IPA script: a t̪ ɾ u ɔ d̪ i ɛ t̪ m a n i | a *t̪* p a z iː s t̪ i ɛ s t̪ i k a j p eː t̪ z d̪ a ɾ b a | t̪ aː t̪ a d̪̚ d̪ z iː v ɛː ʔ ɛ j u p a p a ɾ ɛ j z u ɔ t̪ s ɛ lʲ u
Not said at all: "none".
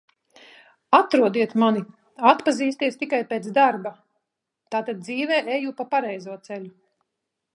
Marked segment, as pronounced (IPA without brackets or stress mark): t̪